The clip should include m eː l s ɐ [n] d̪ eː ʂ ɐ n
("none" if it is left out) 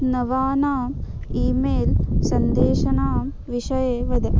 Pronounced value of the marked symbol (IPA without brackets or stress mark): n